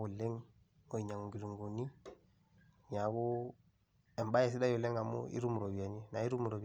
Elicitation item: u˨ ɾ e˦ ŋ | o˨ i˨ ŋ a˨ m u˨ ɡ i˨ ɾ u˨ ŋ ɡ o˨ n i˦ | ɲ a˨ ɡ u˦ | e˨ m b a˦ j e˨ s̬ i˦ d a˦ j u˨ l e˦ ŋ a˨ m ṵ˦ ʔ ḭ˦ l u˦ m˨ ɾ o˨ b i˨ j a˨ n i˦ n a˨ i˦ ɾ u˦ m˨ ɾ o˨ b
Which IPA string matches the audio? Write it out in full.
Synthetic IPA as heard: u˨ l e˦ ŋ | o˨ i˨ ɲ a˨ ŋ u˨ ɡ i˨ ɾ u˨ ŋ ɡ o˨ n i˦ | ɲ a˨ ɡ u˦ | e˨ m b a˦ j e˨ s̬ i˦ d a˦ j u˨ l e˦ ŋ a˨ m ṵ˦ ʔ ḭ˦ ɾ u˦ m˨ ɾ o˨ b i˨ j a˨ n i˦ n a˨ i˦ ɾ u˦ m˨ ɾ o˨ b